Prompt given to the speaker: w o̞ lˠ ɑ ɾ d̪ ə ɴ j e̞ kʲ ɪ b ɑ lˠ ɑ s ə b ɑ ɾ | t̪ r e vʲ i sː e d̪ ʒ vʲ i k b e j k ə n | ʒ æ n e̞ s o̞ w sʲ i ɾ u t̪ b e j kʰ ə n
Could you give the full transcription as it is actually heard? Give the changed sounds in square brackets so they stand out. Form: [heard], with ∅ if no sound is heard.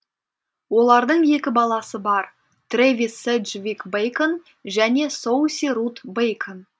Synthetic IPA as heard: w o̞ lˠ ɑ ɾ d̪ ə ɴ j e̞ kʲ ɪ b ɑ lˠ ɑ s ə b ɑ ɾ | t̪ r e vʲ i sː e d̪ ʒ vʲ i k b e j k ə n | ʒ æ n e̞ s o̞ w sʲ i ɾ u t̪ b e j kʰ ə n